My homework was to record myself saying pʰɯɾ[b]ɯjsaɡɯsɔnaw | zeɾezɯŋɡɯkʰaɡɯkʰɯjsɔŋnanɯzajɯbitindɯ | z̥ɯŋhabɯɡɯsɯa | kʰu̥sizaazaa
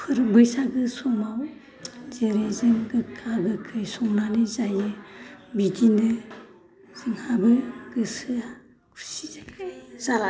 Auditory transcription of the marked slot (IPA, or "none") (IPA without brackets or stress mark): b